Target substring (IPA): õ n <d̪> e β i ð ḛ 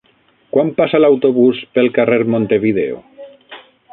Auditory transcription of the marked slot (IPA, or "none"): t̪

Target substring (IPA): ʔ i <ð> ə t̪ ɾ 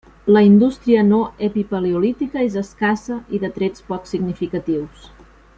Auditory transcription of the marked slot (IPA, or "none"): ð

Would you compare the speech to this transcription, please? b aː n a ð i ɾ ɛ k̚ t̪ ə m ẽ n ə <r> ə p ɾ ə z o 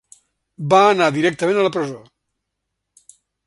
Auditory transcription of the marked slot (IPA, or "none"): l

